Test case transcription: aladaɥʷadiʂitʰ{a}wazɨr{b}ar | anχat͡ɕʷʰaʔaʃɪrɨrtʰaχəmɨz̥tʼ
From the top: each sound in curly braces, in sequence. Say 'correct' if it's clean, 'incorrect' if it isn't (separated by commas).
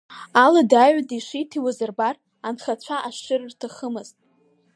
incorrect, correct